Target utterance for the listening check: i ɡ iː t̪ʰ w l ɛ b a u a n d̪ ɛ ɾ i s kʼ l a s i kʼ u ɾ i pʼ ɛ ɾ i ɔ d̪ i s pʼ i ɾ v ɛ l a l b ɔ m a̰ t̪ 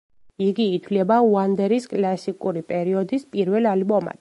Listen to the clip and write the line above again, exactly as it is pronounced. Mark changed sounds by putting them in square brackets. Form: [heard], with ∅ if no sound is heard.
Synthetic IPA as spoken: i ɡ iː t̪ʰ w l ɛ b a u a n d̪ ɛ ɾ i s kʼ l a s i kʼ u ɾ i pʼ ɛ ɾ i ɔ d̪ i s pʼ i ɾ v ɛ l a l b ɔ m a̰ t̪